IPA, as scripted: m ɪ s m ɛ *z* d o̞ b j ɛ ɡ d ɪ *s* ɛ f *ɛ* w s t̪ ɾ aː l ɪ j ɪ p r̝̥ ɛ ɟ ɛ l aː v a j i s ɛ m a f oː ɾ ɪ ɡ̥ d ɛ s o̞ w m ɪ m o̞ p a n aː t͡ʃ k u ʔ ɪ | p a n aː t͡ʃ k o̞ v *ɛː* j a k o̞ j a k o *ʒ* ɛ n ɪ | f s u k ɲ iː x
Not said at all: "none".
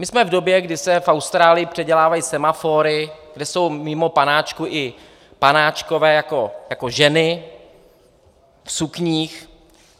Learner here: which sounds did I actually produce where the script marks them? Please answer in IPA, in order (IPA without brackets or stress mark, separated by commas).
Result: v, s, a, ɛː, ʒ